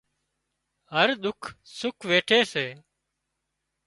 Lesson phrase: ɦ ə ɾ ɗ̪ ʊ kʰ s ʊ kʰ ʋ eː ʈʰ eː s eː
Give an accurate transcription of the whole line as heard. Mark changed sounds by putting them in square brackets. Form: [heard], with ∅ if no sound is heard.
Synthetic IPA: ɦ ə ɾ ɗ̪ ʊ kʰ s ʊ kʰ ʋ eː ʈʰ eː s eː